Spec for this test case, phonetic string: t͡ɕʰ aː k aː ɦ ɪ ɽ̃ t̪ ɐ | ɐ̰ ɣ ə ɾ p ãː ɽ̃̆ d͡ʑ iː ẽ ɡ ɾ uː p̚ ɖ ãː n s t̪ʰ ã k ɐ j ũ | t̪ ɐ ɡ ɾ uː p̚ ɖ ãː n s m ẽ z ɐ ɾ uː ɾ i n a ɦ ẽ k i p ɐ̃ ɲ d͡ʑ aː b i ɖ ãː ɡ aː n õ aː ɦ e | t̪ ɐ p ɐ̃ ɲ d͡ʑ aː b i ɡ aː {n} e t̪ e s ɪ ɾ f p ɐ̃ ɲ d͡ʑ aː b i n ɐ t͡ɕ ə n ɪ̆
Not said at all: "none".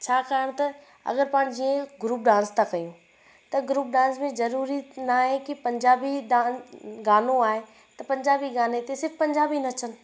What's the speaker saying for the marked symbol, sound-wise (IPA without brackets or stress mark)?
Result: n